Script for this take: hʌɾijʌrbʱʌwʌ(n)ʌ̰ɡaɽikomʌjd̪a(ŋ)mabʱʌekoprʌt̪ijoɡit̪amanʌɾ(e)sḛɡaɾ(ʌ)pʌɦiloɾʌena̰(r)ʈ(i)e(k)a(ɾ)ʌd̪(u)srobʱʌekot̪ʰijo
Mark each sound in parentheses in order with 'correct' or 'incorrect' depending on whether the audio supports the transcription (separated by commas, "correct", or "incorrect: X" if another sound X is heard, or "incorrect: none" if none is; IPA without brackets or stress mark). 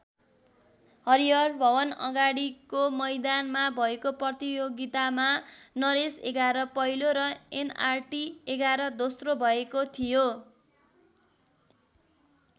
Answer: correct, incorrect: n, correct, correct, correct, correct, incorrect: ɡ, correct, incorrect: o